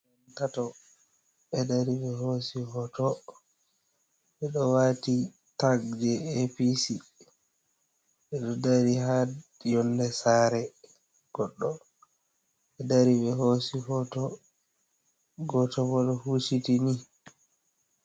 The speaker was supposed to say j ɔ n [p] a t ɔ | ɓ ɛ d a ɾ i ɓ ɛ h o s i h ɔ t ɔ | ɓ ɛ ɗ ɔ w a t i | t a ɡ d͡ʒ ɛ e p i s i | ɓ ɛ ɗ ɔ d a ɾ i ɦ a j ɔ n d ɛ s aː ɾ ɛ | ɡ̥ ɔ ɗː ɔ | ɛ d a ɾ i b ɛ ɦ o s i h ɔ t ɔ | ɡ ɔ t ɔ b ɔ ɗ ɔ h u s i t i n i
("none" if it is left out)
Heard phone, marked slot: t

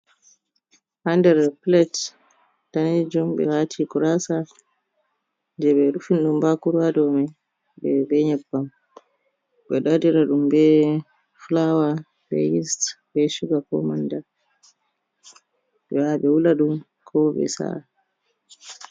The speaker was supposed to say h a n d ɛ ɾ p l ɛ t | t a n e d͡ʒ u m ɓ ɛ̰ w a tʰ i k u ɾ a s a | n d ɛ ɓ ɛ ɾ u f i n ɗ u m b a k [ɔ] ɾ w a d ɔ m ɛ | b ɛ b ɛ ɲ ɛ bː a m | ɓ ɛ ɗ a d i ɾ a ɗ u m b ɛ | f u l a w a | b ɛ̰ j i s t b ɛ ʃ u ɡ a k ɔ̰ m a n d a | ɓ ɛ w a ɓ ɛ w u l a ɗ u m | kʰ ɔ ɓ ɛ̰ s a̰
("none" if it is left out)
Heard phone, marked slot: u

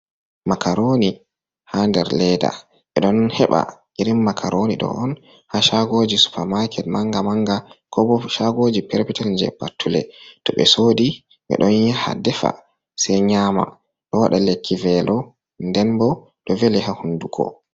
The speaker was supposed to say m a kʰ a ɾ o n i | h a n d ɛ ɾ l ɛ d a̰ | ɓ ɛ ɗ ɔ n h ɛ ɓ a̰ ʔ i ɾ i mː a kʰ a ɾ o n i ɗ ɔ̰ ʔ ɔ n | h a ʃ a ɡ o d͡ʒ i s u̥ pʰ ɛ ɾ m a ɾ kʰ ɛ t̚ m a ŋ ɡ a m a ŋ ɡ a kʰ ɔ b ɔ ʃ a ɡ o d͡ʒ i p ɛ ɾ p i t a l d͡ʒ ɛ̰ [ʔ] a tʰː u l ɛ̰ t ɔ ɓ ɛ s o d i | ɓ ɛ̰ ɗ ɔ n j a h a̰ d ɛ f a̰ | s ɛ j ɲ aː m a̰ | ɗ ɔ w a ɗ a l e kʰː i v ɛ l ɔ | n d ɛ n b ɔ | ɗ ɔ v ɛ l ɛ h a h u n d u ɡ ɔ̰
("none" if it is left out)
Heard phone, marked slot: p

